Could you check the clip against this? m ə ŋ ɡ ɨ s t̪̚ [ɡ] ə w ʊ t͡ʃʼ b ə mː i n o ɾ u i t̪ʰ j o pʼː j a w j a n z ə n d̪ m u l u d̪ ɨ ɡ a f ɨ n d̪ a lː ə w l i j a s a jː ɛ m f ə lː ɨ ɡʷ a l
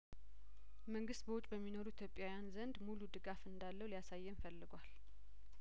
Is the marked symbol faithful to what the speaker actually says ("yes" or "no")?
no